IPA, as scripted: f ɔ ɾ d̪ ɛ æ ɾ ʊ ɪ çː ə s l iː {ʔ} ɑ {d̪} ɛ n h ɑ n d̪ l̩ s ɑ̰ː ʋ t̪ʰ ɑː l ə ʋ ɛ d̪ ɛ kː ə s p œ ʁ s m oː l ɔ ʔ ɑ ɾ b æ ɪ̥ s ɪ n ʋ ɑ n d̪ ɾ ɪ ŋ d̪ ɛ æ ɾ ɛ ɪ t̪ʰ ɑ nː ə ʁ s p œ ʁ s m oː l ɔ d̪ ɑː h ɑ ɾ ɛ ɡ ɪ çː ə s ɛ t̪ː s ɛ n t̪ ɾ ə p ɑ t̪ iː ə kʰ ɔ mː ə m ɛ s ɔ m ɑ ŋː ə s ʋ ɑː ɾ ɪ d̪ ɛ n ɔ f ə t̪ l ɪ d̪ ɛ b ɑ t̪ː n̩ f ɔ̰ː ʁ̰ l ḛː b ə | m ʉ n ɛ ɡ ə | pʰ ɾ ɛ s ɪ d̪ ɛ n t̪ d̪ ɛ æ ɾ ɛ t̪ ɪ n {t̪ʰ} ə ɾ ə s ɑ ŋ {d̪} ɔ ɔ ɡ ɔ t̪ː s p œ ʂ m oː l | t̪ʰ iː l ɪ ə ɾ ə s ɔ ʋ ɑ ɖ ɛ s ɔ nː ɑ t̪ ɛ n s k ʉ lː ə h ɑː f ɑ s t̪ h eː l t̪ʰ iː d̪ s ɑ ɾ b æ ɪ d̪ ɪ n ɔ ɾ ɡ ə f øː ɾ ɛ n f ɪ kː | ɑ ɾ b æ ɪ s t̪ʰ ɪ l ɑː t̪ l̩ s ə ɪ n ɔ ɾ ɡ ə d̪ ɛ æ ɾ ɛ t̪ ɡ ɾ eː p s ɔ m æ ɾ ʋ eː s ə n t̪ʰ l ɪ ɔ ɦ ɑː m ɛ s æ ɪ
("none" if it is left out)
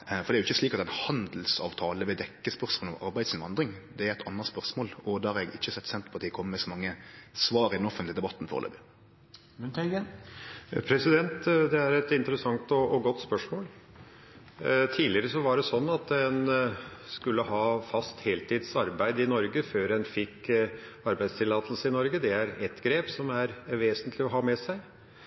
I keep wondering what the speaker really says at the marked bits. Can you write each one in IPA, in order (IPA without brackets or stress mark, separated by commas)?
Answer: k, t̪, t̪, t̪